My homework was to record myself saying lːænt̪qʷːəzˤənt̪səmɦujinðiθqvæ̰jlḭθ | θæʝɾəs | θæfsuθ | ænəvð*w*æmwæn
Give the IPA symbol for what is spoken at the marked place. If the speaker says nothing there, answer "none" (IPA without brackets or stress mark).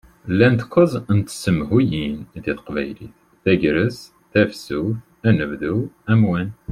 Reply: u